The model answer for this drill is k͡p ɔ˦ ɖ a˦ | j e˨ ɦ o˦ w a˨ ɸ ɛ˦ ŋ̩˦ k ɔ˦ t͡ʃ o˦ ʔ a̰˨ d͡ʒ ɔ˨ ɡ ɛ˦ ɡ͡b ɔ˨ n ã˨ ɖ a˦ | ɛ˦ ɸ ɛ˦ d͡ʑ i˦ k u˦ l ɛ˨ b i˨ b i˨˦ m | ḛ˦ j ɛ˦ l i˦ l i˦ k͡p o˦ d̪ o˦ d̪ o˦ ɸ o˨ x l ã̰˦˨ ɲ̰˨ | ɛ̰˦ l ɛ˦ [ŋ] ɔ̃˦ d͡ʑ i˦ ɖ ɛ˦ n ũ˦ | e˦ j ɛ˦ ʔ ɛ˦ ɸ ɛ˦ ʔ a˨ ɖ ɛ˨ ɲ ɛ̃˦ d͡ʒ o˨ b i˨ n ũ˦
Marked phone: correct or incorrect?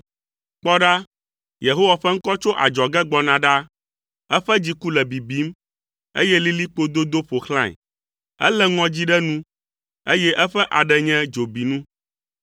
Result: correct